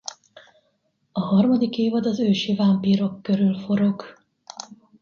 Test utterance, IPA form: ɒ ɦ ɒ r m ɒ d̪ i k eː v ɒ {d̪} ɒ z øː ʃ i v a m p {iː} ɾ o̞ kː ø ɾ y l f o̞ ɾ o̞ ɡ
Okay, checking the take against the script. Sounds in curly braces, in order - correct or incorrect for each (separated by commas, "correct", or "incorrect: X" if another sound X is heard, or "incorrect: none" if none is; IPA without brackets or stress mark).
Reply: correct, correct